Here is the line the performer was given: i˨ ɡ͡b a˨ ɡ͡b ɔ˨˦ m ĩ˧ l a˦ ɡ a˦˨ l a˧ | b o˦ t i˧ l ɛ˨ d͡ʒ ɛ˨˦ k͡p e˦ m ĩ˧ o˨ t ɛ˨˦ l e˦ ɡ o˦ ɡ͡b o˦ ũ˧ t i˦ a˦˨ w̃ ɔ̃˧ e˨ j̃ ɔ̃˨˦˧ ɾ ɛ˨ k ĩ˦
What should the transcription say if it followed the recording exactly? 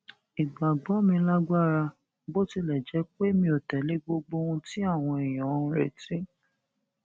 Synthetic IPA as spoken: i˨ ɡ͡b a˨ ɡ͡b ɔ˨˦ m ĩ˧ l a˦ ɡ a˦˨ ɾ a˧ | b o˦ t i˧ l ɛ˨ d͡ʒ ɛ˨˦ k͡p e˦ m ĩ˧ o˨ t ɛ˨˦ l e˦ ɡ͡b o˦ ɡ͡b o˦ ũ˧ t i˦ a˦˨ w̃ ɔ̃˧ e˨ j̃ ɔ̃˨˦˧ ɾ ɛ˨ t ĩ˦